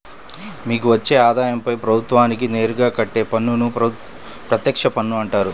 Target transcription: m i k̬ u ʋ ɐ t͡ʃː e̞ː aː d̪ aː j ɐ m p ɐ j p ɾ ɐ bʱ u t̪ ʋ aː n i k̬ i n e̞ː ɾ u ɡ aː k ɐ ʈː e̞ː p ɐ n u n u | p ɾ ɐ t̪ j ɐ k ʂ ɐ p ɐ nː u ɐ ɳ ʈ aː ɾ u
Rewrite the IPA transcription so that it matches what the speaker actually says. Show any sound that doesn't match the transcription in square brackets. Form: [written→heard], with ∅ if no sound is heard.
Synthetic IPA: m [i→iː] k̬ u ʋ ɐ t͡ʃː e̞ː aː d̪ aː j ɐ m p ɐ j p ɾ ɐ bʱ u t̪ ʋ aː n i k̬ i n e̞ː ɾ u ɡ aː k ɐ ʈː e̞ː p ɐ [n→nː] u n u | p ɾ ɐ t̪ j ɐ k ʂ ɐ p ɐ nː u ɐ ɳ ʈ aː ɾ u